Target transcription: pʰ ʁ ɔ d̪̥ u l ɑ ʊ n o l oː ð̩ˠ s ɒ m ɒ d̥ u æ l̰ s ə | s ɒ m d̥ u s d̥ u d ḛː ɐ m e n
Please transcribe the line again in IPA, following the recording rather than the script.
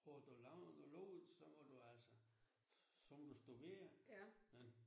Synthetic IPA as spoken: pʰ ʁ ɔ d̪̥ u l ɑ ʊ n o l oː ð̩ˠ s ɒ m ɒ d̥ u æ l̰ s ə | s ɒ m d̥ u s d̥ u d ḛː ɐ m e n